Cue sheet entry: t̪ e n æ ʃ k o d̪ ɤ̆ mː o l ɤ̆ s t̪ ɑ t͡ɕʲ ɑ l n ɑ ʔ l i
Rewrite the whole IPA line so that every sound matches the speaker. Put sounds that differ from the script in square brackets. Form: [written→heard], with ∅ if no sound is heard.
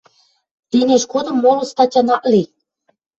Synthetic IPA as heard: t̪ e n [æ→e] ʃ k o d̪ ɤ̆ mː o l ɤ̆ s t̪ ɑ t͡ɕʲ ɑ [l→∅] n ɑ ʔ l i

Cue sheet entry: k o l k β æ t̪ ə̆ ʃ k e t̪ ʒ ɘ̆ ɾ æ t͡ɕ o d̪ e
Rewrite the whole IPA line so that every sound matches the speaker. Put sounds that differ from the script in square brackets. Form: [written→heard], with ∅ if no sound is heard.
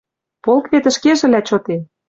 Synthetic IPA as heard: [k→p] o l k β [æ→e] t̪ ə̆ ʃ k e [t̪→∅] ʒ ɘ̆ [ɾ→l] æ t͡ɕ o [d̪→t̪] e

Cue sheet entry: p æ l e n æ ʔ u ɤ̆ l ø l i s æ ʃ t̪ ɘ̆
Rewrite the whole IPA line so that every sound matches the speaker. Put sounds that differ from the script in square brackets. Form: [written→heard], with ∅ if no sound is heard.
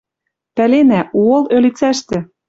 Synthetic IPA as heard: p æ l e n æ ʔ u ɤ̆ l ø l i [s→t͡s] æ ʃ t̪ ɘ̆

